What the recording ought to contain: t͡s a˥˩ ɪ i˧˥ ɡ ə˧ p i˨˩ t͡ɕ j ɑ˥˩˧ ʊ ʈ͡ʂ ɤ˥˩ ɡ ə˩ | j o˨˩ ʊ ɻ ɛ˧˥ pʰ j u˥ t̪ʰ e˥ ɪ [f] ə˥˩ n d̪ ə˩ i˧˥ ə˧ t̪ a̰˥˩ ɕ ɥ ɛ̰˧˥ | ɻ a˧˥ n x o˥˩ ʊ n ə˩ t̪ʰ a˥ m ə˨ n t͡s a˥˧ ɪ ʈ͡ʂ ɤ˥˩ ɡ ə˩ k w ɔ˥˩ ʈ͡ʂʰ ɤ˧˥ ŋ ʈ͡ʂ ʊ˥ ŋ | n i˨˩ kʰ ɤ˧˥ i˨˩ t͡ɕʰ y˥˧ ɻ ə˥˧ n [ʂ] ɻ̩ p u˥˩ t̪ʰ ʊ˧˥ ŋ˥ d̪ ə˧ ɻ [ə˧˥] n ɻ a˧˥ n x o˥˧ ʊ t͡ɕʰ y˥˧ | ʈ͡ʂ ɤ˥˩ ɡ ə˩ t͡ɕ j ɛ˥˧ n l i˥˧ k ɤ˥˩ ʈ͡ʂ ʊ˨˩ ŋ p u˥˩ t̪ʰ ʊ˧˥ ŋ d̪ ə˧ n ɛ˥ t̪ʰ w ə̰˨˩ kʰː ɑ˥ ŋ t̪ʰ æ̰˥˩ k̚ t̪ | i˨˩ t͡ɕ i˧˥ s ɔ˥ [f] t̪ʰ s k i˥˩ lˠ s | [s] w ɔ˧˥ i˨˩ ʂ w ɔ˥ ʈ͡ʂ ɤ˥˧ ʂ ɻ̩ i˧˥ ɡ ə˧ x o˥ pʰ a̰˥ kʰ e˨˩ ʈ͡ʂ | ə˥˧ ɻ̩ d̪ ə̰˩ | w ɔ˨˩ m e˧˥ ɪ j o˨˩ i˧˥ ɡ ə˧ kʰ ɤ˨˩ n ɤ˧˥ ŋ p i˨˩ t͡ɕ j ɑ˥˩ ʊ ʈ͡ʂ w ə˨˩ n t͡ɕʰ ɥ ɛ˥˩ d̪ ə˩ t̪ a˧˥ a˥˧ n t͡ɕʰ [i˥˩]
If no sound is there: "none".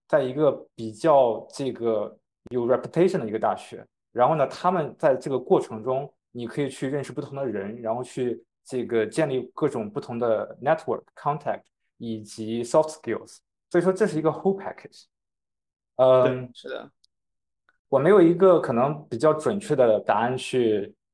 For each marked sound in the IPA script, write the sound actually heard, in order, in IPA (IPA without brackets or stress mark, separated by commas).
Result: ʂ, ʂ, ə˧˥, f, s, y˥˩